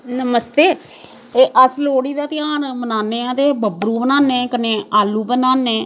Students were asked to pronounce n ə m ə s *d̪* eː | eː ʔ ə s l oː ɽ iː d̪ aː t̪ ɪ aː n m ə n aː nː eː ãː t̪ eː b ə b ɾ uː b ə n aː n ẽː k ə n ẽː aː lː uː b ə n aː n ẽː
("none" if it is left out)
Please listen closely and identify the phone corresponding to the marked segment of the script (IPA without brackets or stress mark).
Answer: t̪